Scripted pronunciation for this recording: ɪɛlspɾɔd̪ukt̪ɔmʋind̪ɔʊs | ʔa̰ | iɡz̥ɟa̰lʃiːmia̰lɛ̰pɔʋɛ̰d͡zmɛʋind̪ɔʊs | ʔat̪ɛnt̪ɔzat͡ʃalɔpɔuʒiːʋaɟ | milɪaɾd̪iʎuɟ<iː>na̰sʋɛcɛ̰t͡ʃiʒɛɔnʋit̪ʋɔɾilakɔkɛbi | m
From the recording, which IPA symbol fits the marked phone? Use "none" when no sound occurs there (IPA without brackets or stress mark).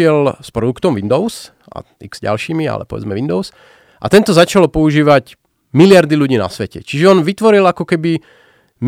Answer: iː